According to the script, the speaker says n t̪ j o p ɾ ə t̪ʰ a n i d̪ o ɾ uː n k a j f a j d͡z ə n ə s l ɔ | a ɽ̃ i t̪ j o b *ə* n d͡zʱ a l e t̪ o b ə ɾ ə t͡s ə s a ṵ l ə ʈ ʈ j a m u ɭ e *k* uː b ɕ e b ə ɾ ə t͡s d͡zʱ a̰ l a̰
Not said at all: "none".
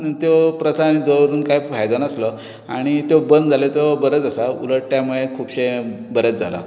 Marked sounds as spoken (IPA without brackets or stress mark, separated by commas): ə, kʰ